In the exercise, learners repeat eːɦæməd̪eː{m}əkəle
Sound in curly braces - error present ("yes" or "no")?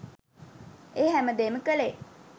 no